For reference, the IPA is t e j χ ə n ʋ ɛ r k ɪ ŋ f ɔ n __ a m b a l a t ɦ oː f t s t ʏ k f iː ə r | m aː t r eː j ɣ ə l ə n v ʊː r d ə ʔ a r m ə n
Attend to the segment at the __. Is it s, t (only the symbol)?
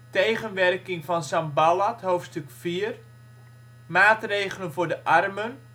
s